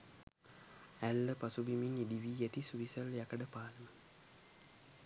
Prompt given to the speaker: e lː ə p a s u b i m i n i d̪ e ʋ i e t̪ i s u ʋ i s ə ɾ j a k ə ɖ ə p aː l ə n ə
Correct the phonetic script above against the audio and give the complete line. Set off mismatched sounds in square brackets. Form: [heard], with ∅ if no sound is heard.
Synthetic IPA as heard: [æ] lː ə p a s u b i m i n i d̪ [i] ʋ i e t̪ i s u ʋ i s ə [l] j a k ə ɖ ə p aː l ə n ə